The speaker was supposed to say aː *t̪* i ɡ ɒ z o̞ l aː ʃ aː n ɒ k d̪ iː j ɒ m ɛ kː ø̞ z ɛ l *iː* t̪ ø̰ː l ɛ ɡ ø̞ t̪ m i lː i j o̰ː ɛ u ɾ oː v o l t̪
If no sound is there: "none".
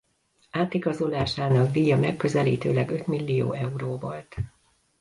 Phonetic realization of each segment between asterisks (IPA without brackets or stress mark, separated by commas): t̪, iː